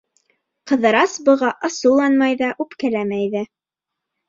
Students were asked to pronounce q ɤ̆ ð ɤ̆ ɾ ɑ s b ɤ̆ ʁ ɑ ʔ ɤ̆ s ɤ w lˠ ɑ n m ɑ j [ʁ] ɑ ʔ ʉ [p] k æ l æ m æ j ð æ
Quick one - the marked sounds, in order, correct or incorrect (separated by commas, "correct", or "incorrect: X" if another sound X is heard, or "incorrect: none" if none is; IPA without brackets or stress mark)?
incorrect: ð, correct